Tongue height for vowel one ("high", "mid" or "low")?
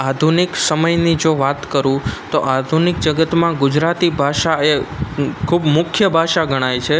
low